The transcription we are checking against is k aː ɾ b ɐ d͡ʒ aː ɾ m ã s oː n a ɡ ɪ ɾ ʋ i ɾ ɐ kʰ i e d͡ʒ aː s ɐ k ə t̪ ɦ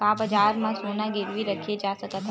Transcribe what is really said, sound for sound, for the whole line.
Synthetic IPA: k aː b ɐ d͡ʒ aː ɾ m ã s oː n a ɡ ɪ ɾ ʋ i ɾ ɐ kʰ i e d͡ʒ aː s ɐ k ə t̪ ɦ